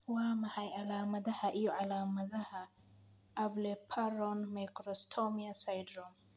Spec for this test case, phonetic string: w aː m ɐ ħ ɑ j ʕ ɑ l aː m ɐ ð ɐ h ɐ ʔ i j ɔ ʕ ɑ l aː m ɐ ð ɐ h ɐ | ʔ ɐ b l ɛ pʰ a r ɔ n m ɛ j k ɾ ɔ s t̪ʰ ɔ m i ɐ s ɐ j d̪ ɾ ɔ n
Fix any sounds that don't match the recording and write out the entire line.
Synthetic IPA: w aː m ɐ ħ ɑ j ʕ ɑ l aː m ɐ ð ɐ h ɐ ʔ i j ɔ ʕ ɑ l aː m ɐ ð ɐ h ɐ | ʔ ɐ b l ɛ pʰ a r ɔ n m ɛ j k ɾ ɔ s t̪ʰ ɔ m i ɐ s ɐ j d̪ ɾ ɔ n